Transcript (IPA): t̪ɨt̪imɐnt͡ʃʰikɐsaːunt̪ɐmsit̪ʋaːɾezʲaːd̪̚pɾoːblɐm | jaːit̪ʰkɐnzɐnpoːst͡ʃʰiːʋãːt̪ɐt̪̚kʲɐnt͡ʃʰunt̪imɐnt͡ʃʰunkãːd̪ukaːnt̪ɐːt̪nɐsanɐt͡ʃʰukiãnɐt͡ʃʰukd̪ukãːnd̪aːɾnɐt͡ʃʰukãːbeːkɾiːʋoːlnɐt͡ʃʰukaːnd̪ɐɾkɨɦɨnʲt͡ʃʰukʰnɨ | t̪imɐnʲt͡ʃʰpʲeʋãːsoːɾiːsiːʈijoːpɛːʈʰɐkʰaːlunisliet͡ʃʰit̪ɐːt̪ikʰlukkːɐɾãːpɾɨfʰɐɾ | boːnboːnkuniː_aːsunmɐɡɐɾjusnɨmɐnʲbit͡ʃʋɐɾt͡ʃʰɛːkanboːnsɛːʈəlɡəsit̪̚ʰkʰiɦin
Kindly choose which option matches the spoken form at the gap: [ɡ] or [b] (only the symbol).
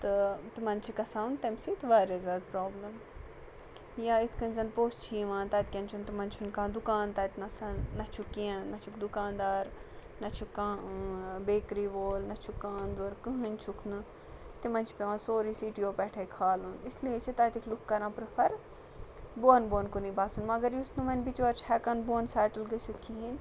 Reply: b